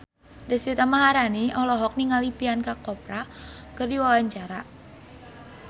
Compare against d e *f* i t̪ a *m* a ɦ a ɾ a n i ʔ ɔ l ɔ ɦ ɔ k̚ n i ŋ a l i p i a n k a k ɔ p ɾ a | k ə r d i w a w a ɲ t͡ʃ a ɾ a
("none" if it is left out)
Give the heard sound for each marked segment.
s, m

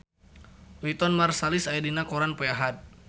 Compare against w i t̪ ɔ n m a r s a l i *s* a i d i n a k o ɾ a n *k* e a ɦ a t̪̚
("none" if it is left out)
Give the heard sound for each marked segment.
s, p

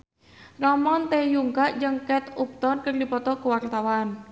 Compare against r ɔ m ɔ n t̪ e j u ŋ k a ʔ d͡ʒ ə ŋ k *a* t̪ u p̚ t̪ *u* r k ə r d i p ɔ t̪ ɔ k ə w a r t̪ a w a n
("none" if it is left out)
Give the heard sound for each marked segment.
ɛ, ɔ

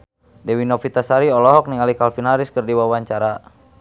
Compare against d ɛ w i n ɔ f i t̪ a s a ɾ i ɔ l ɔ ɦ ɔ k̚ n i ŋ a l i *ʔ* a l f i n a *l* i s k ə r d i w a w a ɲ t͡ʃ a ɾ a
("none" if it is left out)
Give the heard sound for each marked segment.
k, ɾ

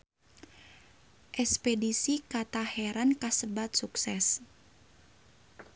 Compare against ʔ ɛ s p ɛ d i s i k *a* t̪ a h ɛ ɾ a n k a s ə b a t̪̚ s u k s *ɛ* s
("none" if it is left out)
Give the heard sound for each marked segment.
a, ɛ

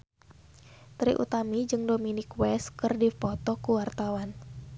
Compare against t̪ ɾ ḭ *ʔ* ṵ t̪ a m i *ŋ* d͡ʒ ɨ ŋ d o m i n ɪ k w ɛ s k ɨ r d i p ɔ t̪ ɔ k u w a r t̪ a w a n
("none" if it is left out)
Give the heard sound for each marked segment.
ʔ, none

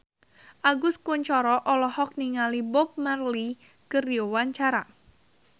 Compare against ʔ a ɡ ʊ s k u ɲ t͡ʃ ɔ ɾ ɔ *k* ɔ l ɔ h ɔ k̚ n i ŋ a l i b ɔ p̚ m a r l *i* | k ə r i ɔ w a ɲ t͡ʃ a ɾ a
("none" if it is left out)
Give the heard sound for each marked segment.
ʔ, i

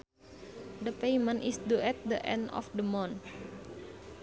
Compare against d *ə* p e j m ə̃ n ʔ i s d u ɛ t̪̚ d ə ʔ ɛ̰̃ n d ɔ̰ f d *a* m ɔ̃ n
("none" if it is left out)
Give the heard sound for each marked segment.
ə, ə

